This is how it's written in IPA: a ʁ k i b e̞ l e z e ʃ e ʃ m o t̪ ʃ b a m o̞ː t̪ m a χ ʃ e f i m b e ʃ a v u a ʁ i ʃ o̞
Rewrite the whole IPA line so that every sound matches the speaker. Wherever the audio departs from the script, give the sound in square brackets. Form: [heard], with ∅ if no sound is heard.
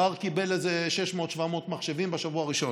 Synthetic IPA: a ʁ k i b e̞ l e z e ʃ e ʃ m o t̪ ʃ [v] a m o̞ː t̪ m a χ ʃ e [v] i m b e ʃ a v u a ʁ i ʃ o̞